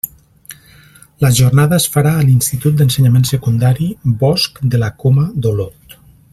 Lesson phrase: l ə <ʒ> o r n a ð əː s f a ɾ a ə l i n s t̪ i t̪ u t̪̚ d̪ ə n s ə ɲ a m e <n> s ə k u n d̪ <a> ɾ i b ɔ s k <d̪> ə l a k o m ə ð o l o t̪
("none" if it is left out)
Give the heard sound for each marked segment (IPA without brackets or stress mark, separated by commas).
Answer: ʒ, n, a, d̪